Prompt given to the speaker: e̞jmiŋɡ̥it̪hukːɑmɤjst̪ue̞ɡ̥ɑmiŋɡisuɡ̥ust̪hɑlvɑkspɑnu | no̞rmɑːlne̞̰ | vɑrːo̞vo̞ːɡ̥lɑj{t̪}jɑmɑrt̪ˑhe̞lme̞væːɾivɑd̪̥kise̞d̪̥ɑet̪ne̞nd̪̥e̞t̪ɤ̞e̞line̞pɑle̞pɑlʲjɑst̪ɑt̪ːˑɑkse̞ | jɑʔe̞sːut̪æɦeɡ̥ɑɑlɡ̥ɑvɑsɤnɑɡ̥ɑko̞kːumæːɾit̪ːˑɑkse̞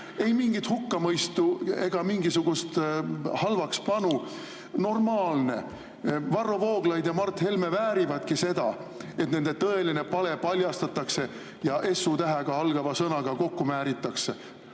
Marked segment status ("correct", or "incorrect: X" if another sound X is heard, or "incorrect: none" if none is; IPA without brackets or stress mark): incorrect: d̪